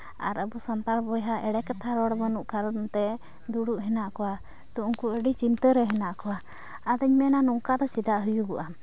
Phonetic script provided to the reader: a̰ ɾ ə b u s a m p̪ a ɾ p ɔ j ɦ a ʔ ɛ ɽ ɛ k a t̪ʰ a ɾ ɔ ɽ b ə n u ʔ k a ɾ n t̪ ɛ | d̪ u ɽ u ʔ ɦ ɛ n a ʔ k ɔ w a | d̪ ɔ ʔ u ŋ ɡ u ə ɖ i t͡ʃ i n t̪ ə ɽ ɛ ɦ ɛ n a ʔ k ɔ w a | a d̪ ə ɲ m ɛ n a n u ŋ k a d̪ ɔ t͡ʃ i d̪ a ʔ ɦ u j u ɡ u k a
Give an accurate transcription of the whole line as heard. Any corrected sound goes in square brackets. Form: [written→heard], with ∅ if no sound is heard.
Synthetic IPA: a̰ ɾ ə b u s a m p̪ a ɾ [p→b] ɔ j ɦ a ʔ ɛ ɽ ɛ k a t̪ʰ a ɾ ɔ ɽ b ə n u ʔ k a ɾ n t̪ ɛ | d̪ u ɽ u ʔ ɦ ɛ n a ʔ k ɔ w a | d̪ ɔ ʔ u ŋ [ɡ→k] u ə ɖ i t͡ʃ i n t̪ ə [ɽ→ɾ] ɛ ɦ ɛ n a ʔ k ɔ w a | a d̪ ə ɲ m ɛ n a n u ŋ k a d̪ ɔ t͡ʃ i d̪ a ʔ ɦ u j u ɡ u [k→ʔ] a